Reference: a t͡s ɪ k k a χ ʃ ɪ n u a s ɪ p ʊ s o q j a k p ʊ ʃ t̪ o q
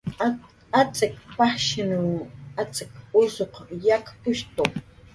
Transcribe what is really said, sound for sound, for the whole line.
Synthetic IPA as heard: a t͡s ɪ k p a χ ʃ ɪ n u a t͡s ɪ k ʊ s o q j a k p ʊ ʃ t̪ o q